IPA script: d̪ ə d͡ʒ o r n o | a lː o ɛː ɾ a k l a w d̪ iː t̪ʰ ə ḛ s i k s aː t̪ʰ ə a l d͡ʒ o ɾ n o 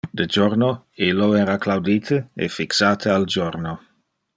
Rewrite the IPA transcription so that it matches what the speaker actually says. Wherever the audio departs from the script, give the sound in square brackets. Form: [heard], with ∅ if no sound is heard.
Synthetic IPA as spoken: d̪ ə d͡ʒ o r n o | [i] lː o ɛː ɾ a k l a w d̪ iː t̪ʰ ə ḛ [f] i k s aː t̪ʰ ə a l d͡ʒ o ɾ n o